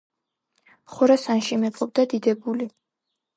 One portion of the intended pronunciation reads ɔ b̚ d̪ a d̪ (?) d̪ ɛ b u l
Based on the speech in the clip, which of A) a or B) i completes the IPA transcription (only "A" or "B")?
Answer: B